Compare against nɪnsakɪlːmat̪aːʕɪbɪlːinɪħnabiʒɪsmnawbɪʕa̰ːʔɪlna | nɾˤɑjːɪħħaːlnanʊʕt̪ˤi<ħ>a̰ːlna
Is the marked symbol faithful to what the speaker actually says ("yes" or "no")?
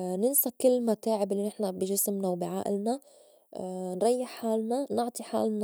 yes